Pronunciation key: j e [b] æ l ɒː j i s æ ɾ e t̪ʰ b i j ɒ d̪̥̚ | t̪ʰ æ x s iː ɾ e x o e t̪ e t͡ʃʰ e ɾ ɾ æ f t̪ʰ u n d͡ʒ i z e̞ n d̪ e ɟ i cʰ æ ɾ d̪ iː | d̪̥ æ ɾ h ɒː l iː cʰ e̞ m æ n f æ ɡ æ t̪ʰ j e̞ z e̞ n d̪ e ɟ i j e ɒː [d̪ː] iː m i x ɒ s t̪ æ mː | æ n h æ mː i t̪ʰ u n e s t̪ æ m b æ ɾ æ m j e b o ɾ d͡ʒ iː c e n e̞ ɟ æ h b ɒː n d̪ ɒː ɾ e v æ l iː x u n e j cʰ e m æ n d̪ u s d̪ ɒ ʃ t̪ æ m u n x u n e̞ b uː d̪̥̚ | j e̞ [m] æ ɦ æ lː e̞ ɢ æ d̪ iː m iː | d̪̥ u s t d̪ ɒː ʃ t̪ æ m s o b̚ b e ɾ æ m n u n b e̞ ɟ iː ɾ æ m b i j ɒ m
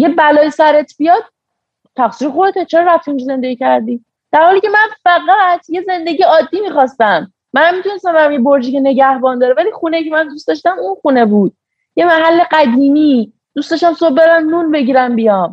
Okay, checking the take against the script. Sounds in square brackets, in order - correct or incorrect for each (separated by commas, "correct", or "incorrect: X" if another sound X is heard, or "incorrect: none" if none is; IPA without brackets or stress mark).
correct, correct, correct